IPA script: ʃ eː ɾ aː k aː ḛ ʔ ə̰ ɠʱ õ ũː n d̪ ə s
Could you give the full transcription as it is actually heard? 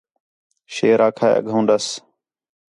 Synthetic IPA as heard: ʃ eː ɾ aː kʰ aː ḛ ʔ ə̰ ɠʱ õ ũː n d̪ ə s